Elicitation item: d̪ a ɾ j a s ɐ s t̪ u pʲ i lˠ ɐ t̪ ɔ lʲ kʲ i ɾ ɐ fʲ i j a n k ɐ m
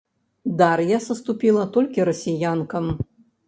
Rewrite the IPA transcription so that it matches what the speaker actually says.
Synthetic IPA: d̪ a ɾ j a s ɐ s t̪ u pʲ i lˠ ɐ t̪ ɔ lʲ kʲ i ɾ ɐ sʲ i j a n k ɐ m